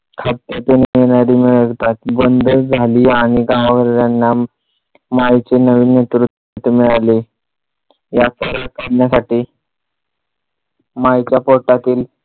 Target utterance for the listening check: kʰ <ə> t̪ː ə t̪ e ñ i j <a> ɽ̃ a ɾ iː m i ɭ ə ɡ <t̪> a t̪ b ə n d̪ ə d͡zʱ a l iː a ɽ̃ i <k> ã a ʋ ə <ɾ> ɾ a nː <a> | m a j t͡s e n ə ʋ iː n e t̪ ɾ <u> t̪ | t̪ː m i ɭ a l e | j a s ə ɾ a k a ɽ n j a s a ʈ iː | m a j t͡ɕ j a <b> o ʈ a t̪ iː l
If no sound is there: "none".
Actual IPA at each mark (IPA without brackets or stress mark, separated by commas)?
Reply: a, e, t̪, ɡ, ɾ, a, u, p